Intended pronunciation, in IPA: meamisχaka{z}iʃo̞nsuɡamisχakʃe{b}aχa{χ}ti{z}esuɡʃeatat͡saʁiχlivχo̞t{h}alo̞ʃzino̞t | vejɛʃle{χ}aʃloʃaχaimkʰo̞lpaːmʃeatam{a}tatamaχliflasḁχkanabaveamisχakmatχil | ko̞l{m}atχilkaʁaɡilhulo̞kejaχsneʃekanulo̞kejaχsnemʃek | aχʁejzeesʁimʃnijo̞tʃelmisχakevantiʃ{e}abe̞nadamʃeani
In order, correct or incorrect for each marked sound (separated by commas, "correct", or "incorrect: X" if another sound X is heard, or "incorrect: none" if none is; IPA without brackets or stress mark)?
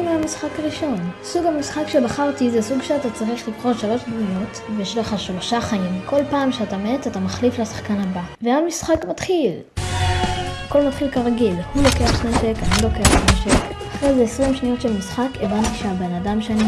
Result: incorrect: ʁ, correct, incorrect: ʁ, correct, incorrect: ʃ, correct, incorrect: e, correct, correct